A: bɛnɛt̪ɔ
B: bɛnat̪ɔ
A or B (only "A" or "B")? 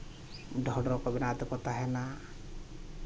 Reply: B